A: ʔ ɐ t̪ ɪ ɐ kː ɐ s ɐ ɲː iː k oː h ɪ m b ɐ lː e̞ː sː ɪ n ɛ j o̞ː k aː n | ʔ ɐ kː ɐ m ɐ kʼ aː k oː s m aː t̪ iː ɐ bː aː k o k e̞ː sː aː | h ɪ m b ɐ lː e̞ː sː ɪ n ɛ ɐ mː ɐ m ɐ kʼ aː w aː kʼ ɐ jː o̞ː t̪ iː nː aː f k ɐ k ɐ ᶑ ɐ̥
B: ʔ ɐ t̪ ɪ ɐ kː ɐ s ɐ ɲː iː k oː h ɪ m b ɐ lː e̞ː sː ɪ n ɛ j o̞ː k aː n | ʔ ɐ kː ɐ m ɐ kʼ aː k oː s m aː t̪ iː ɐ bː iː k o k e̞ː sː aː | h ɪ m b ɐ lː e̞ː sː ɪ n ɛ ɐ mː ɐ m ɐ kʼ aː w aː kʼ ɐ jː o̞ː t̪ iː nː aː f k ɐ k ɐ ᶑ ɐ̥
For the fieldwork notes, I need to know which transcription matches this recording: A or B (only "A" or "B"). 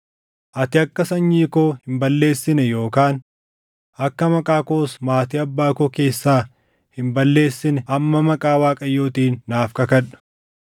A